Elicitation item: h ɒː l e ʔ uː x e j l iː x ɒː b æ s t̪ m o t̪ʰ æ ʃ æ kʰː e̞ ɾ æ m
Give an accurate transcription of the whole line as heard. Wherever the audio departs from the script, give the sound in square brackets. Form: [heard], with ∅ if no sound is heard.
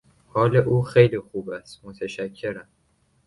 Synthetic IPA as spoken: h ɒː l e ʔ uː x e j l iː x [uː] b æ s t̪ m o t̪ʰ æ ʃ æ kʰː e̞ ɾ æ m

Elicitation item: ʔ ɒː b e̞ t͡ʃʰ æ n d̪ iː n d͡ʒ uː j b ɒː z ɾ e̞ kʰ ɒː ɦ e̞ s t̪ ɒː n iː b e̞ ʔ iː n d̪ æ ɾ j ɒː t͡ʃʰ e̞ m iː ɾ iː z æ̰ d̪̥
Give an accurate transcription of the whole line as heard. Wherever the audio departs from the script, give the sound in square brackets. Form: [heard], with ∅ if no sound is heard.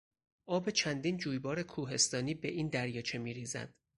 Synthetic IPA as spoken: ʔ ɒː b e̞ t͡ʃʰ æ n d̪ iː n d͡ʒ uː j b ɒː [∅] ɾ e̞ kʰ [uː] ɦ e̞ s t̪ ɒː n iː b e̞ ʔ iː n d̪ æ ɾ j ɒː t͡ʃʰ e̞ m iː ɾ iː z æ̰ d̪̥

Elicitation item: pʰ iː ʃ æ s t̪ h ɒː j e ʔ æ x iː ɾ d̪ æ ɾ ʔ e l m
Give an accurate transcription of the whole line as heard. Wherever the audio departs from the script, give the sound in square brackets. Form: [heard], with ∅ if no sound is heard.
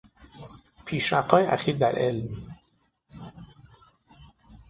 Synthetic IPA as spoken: pʰ iː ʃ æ [f] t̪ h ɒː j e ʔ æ x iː ɾ d̪ æ ɾ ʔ e l m

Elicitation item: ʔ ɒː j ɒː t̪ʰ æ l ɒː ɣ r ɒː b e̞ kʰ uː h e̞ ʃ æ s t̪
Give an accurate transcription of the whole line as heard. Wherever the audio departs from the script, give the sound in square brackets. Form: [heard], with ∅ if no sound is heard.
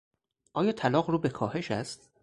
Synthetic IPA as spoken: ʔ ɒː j ɒː t̪ʰ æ l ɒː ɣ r [uː] b e̞ kʰ [ɒː] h e̞ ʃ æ s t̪

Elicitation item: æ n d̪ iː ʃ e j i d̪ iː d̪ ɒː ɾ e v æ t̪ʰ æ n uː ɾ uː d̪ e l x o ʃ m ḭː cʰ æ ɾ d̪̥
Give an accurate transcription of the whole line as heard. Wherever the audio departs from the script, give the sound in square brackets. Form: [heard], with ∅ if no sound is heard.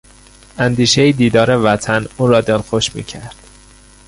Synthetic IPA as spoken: æ n d̪ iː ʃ e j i d̪ iː d̪ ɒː ɾ e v æ t̪ʰ æ n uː ɾ [ɒː] d̪ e l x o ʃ m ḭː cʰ æ ɾ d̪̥

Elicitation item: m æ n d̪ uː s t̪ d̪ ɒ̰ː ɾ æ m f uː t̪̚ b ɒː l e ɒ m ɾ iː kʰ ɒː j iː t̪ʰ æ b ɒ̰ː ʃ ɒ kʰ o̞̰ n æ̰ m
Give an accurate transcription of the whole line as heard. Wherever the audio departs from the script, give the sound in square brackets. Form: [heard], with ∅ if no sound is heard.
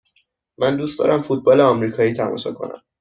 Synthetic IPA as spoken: m æ n d̪ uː s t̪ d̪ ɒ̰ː ɾ æ m f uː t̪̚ b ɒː l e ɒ m ɾ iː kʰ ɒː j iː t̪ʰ æ [m] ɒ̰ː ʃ ɒ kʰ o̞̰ n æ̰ m

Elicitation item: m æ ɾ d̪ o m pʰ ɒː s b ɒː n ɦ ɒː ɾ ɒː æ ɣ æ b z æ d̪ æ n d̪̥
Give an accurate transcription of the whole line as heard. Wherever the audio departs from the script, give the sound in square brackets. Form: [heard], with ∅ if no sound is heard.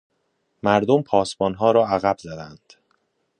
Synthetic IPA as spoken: m æ ɾ d̪ o m pʰ ɒː s b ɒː n ɦ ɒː ɾ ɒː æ ɣ æ b z æ d̪ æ n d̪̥

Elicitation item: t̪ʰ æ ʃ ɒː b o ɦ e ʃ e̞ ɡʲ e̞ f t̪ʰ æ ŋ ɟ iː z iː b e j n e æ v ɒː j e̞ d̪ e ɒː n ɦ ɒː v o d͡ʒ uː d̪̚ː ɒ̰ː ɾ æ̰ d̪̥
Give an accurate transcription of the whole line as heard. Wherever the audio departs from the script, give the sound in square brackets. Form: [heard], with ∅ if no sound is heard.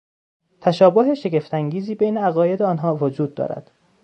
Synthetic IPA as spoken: t̪ʰ æ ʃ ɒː b o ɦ e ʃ e̞ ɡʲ e̞ f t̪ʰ æ ŋ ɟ iː z iː b e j n e æ [ɣ] ɒː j e̞ d̪ e ɒː n ɦ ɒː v o d͡ʒ uː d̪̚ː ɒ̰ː ɾ æ̰ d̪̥

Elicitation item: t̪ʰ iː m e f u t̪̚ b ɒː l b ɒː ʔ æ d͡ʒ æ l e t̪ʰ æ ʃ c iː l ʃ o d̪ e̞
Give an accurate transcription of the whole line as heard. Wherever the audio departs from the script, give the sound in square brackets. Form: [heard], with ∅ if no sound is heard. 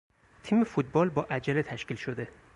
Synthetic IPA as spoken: t̪ʰ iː m e f u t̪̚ b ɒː l b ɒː ʔ æ d͡ʒ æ l e t̪ʰ æ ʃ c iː l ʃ o d̪ e̞

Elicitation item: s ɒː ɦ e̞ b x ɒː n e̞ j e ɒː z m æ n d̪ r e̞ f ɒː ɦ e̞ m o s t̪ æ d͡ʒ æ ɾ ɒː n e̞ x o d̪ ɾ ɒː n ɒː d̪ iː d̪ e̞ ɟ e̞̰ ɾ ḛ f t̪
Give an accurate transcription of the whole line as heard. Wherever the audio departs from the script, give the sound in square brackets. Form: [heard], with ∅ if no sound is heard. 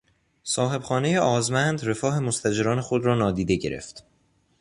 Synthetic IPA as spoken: s ɒː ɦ e̞ b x ɒː n e̞ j e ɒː z m æ n d̪ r e̞ f ɒː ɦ e̞ m o s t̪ æ d͡ʒ [e] ɾ ɒː n e̞ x o d̪ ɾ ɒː n ɒː d̪ iː d̪ e̞ ɟ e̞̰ ɾ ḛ f t̪

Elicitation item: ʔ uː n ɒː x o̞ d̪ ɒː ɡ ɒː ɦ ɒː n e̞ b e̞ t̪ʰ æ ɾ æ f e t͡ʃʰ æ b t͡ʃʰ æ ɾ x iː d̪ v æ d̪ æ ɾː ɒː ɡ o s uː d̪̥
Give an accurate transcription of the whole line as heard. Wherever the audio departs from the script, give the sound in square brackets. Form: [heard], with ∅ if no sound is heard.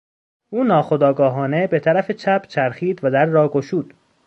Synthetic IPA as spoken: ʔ uː n ɒː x o̞ d̪ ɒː ɡ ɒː ɦ ɒː n e̞ b e̞ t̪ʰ æ ɾ æ f e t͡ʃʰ æ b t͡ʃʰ æ ɾ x iː d̪ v æ d̪ æ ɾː ɒː ɡ o [ʃ] uː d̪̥

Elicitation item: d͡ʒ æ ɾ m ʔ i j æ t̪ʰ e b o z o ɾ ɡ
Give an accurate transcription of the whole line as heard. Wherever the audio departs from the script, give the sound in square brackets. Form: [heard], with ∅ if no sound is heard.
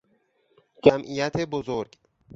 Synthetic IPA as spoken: d͡ʒ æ [∅] m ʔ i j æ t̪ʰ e b o z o ɾ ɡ

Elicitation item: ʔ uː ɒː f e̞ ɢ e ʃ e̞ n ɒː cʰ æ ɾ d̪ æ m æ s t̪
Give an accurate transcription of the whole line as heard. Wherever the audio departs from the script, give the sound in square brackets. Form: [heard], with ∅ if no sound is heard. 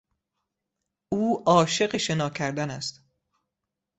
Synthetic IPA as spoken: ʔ uː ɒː [ʃ] e̞ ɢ e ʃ e̞ n ɒː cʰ æ ɾ d̪ æ [n] æ s t̪

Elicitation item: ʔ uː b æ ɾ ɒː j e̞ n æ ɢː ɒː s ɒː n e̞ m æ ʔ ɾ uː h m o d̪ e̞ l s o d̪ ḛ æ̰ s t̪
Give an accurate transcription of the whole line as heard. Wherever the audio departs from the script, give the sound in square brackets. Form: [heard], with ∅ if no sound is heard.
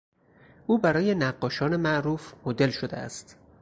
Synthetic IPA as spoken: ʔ uː b æ ɾ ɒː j e̞ n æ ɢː ɒː [ʃ] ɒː n e̞ m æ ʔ ɾ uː [f] m o d̪ e̞ l [ʃ] o d̪ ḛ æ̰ s t̪

